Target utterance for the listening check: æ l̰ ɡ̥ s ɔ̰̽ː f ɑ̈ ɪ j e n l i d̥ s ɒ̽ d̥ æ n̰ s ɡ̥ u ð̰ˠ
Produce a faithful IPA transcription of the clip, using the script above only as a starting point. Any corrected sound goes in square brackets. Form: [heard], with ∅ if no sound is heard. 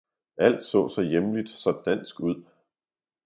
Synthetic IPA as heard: æ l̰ [d̥] s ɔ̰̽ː [s] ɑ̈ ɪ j e [m] l i d̥ s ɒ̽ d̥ æ n̰ s ɡ̥ u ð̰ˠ